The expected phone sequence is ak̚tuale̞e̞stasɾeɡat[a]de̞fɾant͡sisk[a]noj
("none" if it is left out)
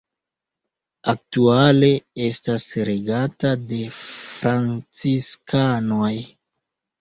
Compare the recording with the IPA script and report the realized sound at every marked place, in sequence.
a, a

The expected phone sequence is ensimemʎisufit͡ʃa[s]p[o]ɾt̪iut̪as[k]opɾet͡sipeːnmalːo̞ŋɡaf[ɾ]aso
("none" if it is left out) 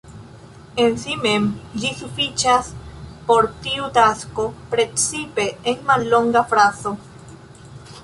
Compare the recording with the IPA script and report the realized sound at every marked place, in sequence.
s, o, k, ɾ

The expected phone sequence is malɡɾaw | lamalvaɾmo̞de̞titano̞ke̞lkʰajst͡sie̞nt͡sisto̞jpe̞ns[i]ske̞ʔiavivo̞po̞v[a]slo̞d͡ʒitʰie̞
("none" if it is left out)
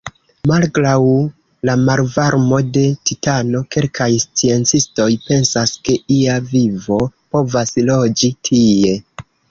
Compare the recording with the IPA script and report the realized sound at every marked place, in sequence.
a, a

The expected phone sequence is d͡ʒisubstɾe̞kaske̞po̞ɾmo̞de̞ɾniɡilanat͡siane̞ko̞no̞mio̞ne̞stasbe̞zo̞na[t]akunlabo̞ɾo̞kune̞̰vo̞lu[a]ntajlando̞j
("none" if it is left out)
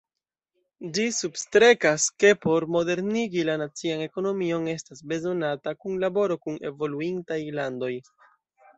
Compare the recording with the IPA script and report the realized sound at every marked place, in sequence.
t, i

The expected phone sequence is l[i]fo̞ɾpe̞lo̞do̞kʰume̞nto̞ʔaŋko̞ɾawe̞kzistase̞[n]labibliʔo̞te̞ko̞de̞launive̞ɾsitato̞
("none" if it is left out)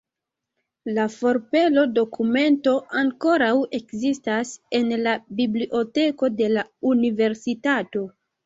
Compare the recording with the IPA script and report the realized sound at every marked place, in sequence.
a, n

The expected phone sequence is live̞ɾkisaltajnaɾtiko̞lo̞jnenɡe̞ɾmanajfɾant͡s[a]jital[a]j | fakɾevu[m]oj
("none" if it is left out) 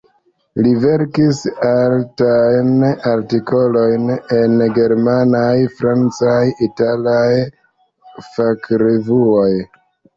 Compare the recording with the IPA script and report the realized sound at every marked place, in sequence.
a, a, none

